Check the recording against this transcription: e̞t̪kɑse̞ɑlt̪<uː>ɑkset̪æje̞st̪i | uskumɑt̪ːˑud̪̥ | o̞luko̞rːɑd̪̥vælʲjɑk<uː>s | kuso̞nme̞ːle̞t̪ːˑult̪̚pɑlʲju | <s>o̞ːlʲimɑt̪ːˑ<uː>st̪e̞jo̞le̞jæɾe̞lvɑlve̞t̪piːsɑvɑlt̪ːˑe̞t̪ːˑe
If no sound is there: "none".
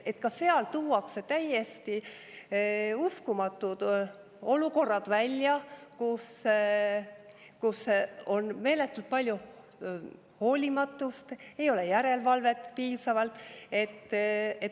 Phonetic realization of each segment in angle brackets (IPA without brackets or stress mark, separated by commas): uː, u, h, u